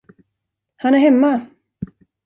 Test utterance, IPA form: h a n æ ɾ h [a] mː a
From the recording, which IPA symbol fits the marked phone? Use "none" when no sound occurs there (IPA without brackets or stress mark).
ɛ